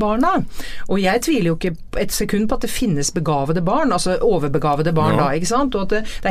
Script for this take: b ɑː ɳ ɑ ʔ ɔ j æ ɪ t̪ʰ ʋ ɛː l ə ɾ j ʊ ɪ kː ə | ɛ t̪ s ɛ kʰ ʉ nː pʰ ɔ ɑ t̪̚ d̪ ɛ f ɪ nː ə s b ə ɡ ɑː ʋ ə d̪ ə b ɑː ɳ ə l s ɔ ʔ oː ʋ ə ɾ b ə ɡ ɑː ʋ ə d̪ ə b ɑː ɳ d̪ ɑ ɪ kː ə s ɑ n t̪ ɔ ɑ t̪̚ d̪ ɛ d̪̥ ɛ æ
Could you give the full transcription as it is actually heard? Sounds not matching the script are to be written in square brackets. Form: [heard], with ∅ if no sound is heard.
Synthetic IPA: b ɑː ɳ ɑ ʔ ɔ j æ ɪ t̪ʰ ʋ [iː] l ə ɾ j ʊ ɪ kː ə | ɛ t̪ s ɛ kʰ ʉ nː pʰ ɔ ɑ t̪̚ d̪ ɛ f ɪ nː ə s b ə ɡ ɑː ʋ ə d̪ ə b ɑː ɳ [ɑ] l s ɔ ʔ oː ʋ ə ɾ b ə ɡ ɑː ʋ ə d̪ ə b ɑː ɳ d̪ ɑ ɪ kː ə s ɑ n t̪ ɔ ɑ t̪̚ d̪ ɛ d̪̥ ɛ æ